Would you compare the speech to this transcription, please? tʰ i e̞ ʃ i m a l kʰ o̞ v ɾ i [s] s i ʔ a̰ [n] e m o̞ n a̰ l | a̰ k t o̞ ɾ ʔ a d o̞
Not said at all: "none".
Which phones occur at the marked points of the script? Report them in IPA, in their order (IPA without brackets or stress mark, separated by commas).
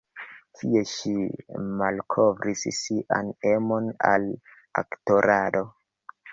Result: s, n